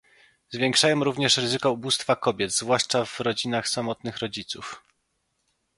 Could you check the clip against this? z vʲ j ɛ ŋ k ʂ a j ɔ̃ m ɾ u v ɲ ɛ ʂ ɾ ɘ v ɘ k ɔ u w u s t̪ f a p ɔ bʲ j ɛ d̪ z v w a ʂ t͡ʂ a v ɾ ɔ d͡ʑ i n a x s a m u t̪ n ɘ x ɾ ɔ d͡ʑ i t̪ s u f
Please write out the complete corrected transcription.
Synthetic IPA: z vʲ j ɛ ŋ k ʂ a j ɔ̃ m ɾ u v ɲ ɛ ʂ ɾ ɘ z ɘ k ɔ u b u s t̪ f a k ɔ bʲ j ɛ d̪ z v w a ʂ t͡ʂ a v ɾ ɔ d͡ʑ i n a x s a m ɔ t̪ n ɘ x ɾ ɔ d͡ʑ i t̪ s u f